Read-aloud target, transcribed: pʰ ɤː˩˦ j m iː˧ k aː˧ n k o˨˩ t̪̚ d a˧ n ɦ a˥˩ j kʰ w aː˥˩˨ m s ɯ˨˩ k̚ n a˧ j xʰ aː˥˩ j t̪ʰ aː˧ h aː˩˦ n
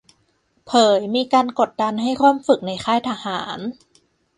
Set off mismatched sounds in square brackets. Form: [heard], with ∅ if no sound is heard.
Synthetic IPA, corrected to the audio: pʰ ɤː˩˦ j m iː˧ k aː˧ n k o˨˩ t̪̚ d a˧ n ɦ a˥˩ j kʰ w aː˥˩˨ m [f] ɯ˨˩ k̚ n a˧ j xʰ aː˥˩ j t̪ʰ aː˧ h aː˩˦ n